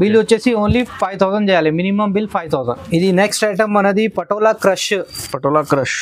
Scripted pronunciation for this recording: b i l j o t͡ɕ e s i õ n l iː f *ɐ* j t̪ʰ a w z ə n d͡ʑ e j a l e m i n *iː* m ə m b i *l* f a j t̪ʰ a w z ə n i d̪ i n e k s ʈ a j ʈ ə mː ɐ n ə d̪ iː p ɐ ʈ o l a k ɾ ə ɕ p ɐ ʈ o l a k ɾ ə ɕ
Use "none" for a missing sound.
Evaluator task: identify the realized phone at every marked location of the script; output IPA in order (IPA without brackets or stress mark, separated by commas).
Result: a, i, l